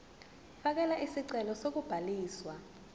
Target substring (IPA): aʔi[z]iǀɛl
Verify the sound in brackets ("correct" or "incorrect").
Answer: incorrect